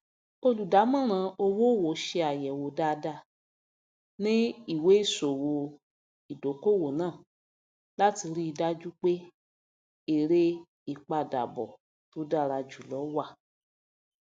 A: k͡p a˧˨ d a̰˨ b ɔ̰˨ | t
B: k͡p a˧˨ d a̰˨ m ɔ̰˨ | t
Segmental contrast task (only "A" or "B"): A